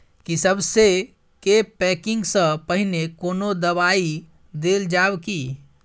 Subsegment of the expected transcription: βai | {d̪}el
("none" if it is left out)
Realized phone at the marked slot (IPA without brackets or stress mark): d̪